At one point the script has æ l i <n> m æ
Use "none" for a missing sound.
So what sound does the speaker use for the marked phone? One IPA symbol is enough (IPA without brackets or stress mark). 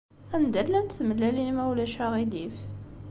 n